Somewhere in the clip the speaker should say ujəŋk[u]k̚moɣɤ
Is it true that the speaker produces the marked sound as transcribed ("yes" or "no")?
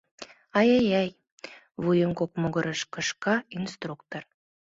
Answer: no